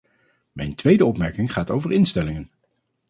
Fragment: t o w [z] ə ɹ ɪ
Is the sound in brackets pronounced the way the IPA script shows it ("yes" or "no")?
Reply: no